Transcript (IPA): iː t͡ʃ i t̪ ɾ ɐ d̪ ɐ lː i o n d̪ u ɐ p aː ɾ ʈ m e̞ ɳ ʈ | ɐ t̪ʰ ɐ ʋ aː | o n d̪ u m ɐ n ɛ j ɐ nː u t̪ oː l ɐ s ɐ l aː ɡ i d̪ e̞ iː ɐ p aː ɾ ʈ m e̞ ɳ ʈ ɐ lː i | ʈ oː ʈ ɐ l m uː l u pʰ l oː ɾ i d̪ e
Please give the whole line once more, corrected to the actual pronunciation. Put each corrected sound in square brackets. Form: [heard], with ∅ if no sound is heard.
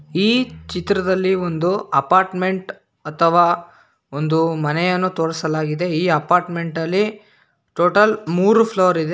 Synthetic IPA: iː t͡ʃ i t̪ ɾ ɐ d̪ ɐ lː i o n d̪ u ɐ p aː ɾ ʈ m e̞ ɳ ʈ | ɐ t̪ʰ ɐ ʋ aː | o n d̪ u m ɐ n ɛ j ɐ nː u t̪ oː [ɽ] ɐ s ɐ l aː ɡ i d̪ e̞ iː ɐ p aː ɾ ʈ m e̞ ɳ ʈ ɐ lː i | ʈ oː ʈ ɐ l m uː [ɾ] u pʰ l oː ɾ i d̪ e